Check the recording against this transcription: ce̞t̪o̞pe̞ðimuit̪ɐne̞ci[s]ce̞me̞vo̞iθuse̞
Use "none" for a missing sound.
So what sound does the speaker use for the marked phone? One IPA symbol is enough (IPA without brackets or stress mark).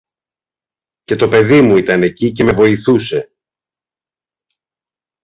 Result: none